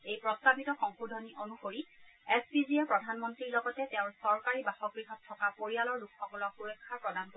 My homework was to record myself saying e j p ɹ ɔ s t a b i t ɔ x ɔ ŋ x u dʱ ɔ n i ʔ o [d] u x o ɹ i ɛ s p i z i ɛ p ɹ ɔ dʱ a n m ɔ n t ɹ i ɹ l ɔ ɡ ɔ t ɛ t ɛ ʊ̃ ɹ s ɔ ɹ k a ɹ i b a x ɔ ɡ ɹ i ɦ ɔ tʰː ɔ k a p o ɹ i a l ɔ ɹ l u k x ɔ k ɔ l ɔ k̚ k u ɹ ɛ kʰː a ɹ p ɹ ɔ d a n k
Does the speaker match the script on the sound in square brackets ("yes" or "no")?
no